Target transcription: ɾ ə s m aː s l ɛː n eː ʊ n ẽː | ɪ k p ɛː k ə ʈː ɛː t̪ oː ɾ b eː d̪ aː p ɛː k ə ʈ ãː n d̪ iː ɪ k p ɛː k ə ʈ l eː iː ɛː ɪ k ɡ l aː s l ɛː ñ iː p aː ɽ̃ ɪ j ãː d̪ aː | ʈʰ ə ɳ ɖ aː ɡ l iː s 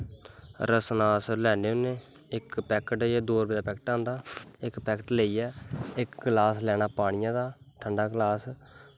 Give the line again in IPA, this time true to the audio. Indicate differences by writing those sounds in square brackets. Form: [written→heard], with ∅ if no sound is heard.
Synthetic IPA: ɾ ə s [m→n] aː s l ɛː n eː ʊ n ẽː | ɪ k p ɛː k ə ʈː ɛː [t̪→d̪] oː ɾ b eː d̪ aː p ɛː k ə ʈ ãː n d̪ [iː→aː] ɪ k p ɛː k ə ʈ l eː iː ɛː ɪ k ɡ l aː s l ɛː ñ [iː→aː] p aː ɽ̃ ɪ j ãː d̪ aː | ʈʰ ə ɳ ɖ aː ɡ l [iː→aː] s